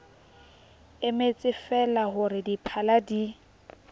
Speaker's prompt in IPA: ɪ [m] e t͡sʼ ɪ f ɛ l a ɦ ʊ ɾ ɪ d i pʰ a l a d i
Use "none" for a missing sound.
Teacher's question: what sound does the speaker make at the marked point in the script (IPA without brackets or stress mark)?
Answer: m